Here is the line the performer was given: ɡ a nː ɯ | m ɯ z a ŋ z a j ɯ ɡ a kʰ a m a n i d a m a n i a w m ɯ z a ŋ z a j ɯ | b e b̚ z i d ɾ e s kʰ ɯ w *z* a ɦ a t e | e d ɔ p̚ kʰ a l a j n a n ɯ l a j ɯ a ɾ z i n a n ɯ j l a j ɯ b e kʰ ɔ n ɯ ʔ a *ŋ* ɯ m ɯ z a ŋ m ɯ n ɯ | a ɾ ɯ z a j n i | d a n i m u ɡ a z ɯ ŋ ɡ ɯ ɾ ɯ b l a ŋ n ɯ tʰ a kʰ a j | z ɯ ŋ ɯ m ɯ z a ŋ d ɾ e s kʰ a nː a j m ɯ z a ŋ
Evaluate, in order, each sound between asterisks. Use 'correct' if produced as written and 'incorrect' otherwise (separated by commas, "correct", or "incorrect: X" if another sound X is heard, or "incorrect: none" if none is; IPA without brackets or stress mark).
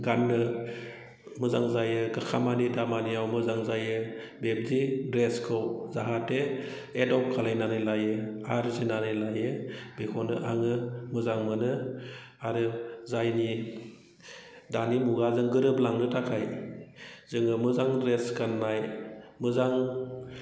correct, correct